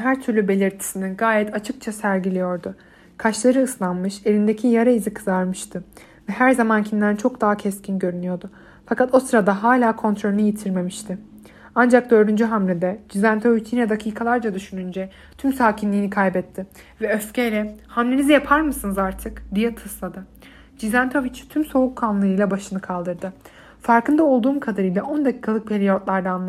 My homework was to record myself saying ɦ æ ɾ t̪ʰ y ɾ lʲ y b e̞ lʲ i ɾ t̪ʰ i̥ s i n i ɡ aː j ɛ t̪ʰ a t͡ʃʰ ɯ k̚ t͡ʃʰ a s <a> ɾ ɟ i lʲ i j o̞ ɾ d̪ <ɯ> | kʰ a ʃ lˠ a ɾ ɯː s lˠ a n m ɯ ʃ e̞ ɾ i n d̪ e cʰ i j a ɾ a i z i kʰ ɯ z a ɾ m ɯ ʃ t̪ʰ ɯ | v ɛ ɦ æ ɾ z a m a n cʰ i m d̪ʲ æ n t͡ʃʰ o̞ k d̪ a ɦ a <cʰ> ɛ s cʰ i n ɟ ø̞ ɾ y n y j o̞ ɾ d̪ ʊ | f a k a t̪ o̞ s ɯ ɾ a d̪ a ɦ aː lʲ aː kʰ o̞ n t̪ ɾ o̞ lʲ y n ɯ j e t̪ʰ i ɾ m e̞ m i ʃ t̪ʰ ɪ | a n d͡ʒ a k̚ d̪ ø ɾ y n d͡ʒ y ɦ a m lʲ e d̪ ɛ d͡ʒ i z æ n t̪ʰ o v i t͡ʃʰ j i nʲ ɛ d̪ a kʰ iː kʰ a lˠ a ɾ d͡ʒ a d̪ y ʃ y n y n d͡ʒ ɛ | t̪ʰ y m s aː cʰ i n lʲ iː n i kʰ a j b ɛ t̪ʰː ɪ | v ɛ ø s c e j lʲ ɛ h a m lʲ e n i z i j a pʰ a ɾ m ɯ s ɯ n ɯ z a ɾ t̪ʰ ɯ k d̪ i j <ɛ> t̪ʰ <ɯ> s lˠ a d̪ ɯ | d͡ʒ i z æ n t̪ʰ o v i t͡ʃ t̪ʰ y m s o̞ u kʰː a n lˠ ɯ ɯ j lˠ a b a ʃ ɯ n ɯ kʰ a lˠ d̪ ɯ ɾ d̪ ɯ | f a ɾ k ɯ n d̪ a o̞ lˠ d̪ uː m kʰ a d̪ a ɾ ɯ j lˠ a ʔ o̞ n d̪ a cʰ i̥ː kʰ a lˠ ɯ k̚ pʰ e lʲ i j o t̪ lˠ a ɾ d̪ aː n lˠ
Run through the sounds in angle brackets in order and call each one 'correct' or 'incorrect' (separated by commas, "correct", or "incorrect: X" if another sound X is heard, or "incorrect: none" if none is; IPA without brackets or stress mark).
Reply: incorrect: æ, incorrect: ʊ, correct, correct, correct